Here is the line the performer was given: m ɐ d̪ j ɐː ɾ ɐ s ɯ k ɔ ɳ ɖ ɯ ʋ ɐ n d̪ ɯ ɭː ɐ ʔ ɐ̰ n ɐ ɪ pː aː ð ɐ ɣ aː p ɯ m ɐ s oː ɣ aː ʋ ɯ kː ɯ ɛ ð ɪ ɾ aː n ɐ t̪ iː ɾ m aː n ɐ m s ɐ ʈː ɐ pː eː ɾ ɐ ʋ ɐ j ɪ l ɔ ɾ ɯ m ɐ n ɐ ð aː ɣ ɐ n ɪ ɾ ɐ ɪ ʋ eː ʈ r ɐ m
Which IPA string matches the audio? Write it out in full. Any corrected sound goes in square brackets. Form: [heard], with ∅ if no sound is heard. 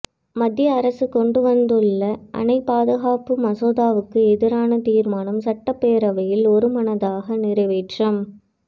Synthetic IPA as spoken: m ɐ d̪ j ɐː ɾ ɐ s ɯ k ɔ ɳ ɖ ɯ ʋ ɐ n d̪ ɯ ɭː ɐ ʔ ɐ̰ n ɐ ɪ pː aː ð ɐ ɣ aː p ɯ m ɐ s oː [ð] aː ʋ ɯ kː ɯ ɛ ð ɪ ɾ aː n ɐ t̪ iː ɾ m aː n ɐ m s ɐ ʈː ɐ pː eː ɾ ɐ ʋ ɐ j ɪ l ɔ ɾ ɯ m ɐ n ɐ ð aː ɣ ɐ n ɪ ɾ ɐ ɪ ʋ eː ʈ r ɐ m